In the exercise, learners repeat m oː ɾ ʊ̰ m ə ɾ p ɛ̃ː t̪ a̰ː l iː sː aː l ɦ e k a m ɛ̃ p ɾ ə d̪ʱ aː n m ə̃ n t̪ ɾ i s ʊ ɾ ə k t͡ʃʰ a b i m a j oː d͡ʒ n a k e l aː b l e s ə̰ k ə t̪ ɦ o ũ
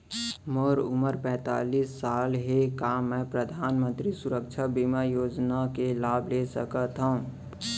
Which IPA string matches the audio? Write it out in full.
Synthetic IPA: m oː ɾ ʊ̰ m ə ɾ p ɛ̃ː t̪ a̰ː l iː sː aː l ɦ e k a m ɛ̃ p ɾ ə d̪ʱ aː n m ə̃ n t̪ ɾ i s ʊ ɾ ə k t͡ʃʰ a b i m a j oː d͡ʒ n a k e l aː b l e s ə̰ k ə t̪ ɦ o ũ